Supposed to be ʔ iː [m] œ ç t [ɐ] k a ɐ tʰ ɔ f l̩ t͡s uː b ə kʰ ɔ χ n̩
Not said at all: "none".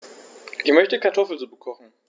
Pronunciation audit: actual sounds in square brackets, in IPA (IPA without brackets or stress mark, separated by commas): m, ə